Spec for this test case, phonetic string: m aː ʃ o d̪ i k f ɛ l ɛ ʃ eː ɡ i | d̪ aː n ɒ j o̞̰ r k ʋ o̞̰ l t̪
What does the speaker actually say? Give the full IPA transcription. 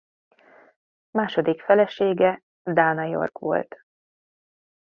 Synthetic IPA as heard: m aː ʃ o d̪ i k f ɛ l ɛ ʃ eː ɡ ɛ | d̪ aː n ɒ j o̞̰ r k ʋ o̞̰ l t̪